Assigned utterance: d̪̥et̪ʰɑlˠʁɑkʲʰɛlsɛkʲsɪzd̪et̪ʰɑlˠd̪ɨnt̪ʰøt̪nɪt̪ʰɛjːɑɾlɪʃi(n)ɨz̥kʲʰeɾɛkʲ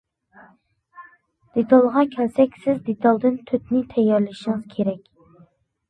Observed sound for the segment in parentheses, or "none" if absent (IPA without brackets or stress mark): ŋ